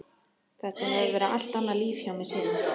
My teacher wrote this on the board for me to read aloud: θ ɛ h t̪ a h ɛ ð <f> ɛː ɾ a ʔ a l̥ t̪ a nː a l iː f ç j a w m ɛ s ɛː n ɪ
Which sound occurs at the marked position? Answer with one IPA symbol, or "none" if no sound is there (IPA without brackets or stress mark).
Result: v